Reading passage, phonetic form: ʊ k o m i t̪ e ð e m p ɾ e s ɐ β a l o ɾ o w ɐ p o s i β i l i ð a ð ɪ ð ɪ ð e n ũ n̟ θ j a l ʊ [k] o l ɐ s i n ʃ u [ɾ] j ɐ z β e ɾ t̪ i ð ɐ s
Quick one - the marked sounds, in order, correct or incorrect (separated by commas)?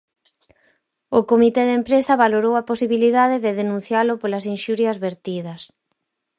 incorrect, correct